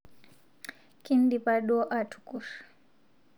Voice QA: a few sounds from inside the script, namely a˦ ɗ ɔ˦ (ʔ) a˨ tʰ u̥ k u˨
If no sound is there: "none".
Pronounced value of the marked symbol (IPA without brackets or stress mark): ʔ